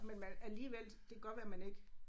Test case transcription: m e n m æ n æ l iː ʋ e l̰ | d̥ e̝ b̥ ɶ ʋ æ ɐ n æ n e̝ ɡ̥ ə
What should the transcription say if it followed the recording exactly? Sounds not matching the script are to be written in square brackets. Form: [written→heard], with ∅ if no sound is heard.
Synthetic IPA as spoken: m e n m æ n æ l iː ʋ e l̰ | d̥ e̝ [b̥→ɡ̥] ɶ ʋ æ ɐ [n→m] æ n e̝ ɡ̥ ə